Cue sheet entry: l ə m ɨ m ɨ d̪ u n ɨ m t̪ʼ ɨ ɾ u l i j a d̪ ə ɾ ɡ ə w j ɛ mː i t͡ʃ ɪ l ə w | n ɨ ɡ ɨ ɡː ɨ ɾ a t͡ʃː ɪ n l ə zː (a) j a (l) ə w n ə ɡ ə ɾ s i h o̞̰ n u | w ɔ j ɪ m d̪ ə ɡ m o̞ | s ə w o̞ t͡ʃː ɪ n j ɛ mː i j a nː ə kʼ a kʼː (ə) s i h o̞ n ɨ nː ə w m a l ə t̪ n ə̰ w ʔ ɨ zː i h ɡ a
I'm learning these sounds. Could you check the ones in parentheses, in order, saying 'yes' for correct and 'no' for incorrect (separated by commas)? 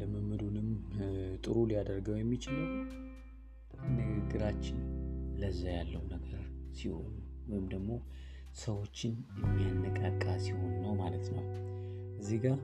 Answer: yes, no, no